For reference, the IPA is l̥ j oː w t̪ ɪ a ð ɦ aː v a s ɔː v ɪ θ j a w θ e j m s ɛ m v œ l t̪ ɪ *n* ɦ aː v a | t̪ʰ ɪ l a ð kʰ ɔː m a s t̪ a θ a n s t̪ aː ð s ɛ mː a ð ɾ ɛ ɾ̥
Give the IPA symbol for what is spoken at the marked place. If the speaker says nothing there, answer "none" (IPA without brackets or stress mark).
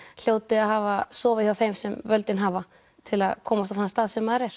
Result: n